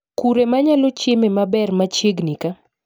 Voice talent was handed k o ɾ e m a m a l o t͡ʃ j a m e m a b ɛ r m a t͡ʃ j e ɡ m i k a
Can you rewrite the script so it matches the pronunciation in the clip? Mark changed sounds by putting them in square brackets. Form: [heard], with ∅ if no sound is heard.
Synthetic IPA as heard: k [u] ɾ e m a [ɲ] a l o t͡ʃ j [e] m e m a b ɛ r m a t͡ʃ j e ɡ [n] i k a